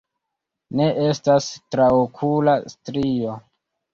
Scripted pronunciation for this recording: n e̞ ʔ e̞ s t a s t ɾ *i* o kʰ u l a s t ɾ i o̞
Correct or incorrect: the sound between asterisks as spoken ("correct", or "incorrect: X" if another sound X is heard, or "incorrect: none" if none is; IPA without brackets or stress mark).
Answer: incorrect: a